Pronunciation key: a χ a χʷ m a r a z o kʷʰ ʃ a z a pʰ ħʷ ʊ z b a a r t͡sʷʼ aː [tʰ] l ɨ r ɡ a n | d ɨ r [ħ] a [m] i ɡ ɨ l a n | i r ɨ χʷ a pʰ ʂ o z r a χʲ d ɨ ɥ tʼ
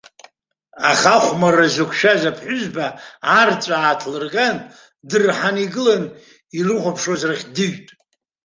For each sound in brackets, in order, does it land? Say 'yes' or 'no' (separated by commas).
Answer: yes, yes, no